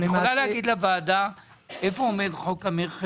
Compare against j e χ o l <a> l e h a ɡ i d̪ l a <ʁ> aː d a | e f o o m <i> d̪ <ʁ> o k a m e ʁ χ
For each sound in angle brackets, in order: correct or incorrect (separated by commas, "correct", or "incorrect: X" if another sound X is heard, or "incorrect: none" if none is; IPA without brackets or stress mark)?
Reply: correct, incorrect: v, incorrect: e, incorrect: χ